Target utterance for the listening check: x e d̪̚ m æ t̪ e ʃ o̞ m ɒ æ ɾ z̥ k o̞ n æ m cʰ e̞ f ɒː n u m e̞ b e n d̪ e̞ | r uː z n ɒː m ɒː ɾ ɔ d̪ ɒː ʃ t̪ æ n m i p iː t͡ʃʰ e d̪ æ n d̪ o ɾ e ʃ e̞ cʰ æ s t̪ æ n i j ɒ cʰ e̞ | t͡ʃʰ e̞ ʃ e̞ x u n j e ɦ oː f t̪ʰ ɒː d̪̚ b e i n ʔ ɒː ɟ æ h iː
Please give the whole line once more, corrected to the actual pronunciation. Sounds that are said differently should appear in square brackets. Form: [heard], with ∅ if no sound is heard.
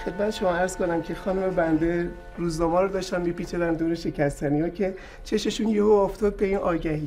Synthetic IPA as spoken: x e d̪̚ m æ t̪ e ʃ o̞ m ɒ æ ɾ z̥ k o̞ n æ m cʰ e̞ [x] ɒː n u m e̞ b [æ] n d̪ e̞ | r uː z n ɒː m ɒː ɾ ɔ d̪ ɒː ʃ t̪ æ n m i p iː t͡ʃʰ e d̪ æ n d̪ o ɾ e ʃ e̞ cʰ æ s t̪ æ n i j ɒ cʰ e̞ | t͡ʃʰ e̞ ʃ e̞ [ʃ] u n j e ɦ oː f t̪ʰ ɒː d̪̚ b e i n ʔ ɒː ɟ æ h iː